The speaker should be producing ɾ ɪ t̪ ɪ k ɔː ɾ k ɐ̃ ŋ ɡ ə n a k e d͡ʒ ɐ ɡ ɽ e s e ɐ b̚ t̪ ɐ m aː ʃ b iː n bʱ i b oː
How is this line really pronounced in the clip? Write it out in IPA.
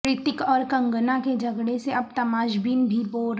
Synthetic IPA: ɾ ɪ t̪ ɪ k ɔː ɾ k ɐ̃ ŋ ɡ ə n a k e d͡ʒ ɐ ɡ ɽ e s e ɐ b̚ t̪ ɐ m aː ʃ b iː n bʱ i b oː